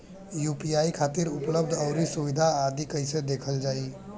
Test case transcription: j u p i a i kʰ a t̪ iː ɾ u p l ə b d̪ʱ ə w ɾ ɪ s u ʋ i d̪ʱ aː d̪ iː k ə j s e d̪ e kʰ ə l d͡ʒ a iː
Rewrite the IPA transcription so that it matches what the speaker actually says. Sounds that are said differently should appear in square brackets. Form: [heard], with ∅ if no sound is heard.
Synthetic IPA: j u p i a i kʰ a t̪ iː ɾ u p l ə b d̪ʱ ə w ɾ [i] s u ʋ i d̪ʱ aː d̪ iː k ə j s e d̪ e kʰ ə l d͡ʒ a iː